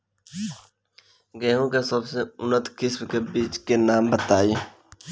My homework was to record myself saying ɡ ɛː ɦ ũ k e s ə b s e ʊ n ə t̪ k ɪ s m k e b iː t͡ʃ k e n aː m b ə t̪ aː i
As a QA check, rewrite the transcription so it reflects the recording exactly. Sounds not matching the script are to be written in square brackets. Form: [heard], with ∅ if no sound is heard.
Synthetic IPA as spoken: ɡ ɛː ɦ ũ k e s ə b s e ʊ n ə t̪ k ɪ s m k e b iː t͡ʃ k e n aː m b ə t̪ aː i